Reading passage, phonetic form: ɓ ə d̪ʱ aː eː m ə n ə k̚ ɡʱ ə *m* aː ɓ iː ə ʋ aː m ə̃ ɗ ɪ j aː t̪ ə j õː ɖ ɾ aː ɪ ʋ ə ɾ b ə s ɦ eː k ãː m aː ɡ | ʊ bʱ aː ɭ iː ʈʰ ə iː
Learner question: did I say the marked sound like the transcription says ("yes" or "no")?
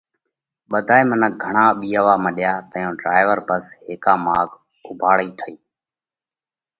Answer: no